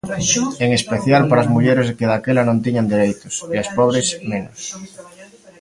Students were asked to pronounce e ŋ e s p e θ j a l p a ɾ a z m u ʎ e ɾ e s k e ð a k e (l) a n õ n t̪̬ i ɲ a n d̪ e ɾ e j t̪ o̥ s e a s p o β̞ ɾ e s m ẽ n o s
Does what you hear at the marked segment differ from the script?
no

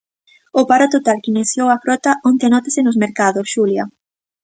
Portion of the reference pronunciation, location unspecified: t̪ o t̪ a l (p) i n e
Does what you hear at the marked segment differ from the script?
yes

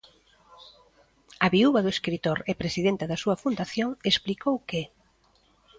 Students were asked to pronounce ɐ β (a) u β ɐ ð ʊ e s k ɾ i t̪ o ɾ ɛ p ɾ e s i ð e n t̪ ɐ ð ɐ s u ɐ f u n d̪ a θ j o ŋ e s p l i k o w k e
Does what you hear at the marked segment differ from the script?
yes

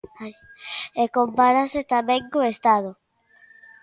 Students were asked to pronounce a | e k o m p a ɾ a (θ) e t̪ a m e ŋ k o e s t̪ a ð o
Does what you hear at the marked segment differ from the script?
yes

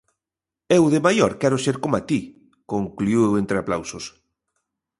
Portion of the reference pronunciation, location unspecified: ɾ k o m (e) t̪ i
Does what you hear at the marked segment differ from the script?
yes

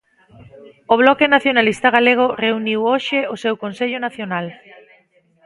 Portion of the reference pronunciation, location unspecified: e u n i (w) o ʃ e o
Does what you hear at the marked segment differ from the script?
no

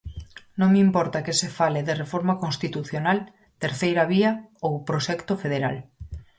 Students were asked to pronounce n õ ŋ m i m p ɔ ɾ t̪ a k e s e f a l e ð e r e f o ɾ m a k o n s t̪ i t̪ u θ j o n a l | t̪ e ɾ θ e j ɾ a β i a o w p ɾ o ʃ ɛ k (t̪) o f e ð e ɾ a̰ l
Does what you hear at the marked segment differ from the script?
no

